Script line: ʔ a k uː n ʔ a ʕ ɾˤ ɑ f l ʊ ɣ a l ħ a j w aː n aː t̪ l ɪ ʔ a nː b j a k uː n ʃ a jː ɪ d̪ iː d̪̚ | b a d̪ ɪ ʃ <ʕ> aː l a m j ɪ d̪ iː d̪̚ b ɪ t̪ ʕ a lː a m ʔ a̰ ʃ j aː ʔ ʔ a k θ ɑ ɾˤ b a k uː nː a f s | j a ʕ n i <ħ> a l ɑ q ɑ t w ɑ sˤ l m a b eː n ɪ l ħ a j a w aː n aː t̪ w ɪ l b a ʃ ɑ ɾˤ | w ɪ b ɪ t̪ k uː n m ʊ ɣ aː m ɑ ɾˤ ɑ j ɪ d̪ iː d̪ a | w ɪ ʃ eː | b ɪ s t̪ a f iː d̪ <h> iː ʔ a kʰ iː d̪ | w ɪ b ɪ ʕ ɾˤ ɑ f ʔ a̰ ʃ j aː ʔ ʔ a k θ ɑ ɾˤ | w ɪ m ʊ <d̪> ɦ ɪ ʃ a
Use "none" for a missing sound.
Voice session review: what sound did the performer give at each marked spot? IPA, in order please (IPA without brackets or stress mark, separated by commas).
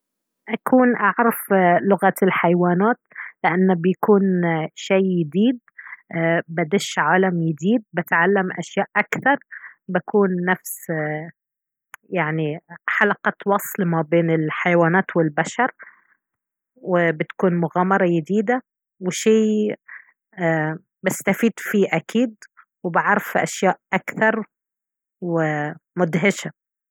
ʕ, ħ, f, d̪